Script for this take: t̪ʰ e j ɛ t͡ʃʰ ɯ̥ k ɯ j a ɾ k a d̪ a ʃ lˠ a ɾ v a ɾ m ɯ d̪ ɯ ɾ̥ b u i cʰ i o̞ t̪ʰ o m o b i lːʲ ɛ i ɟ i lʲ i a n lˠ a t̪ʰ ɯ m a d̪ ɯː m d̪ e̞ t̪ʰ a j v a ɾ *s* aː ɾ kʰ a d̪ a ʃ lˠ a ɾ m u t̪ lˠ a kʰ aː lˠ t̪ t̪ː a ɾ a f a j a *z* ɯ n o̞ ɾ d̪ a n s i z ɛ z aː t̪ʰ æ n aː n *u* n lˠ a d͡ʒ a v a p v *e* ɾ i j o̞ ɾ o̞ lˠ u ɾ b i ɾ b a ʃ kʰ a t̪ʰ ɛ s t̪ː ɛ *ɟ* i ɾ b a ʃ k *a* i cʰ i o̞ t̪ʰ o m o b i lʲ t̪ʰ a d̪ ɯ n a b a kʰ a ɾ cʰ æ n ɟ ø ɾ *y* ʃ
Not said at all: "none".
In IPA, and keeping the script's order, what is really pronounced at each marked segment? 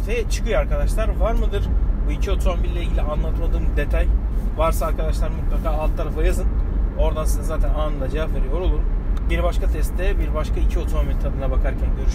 s, z, ɯ, e, b, a, y

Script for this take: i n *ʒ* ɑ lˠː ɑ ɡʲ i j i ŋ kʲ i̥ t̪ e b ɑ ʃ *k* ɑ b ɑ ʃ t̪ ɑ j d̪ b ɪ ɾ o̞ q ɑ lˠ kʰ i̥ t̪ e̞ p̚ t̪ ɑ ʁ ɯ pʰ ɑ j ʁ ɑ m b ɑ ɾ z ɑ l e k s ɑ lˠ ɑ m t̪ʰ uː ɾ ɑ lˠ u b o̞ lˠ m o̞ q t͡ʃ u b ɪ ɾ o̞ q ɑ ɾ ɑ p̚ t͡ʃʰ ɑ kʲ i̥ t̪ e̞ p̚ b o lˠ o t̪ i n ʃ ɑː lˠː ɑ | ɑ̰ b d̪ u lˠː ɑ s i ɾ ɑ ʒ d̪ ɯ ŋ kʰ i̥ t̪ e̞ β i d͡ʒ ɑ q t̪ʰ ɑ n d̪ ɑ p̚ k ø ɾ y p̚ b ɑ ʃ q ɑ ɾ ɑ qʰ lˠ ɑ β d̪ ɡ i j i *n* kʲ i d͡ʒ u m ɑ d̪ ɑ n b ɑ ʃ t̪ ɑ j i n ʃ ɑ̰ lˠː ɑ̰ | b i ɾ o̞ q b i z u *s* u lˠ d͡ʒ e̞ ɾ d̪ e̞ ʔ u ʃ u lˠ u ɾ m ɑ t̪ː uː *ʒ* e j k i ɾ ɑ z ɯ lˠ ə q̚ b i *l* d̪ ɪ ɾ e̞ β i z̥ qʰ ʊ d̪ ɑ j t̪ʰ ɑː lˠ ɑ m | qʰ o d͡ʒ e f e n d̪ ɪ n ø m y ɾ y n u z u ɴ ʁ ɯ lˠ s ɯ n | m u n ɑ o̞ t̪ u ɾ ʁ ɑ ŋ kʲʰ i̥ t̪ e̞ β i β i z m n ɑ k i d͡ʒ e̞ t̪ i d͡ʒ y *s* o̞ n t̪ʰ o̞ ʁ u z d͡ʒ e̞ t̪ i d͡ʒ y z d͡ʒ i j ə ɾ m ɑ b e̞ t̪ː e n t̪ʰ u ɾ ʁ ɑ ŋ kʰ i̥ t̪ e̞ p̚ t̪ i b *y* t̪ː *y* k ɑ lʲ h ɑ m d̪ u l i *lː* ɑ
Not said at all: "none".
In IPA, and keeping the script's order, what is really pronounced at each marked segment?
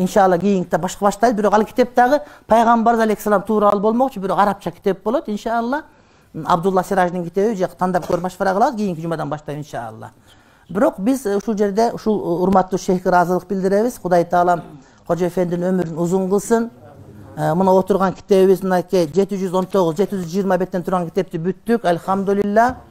ʃ, q, ŋ, ʃ, ʃ, l, z, y, y, lː

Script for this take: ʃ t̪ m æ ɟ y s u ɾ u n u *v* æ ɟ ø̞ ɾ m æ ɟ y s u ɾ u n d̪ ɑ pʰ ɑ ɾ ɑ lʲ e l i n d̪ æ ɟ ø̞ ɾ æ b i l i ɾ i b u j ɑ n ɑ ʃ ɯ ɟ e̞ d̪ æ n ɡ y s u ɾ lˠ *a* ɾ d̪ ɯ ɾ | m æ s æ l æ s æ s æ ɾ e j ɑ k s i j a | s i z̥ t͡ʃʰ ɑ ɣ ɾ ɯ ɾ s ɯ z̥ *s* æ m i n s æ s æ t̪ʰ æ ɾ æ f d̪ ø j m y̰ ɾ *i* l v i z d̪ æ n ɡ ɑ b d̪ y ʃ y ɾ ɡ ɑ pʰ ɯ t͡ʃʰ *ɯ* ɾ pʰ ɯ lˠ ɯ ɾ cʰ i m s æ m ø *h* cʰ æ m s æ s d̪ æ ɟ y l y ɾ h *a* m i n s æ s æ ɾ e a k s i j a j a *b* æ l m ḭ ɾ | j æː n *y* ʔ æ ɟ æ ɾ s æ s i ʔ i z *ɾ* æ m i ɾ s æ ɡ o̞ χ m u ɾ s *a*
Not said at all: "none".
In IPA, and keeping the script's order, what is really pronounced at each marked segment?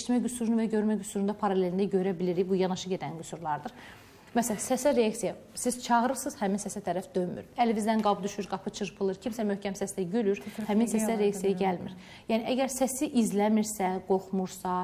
v, ɑ, h, æ, ɯ, h, æ, ɟ, i, l, ɑ

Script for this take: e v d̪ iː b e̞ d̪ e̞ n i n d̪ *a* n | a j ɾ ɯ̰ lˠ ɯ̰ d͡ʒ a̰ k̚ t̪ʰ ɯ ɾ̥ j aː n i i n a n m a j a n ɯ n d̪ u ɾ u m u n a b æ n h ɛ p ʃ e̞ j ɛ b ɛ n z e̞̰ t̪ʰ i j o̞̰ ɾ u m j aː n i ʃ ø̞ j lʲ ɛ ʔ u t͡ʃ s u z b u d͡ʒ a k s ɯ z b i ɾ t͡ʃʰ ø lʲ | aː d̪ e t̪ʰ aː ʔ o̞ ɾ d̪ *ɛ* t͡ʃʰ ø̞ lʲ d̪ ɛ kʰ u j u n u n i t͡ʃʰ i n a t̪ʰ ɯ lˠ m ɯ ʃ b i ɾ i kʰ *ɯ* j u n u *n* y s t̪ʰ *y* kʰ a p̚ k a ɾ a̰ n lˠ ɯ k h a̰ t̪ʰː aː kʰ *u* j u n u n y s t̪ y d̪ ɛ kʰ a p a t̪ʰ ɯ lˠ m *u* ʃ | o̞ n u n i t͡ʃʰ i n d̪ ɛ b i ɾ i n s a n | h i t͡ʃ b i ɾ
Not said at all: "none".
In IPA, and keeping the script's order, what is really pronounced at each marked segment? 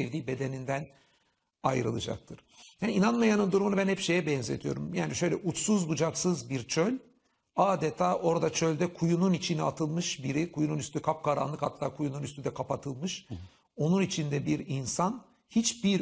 æ, a, u, n, y, u, ɯ

